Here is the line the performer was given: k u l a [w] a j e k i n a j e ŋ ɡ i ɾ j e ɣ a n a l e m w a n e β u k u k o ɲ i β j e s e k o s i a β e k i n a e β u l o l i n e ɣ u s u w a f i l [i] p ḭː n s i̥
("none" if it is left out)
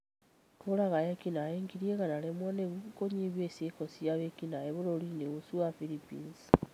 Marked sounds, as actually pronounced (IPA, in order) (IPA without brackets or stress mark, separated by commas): ɣ, i